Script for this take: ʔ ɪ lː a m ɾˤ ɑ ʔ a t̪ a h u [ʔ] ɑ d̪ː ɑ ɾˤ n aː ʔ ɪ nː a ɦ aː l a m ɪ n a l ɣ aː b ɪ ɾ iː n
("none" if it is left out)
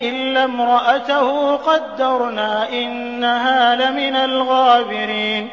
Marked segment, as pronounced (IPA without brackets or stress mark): q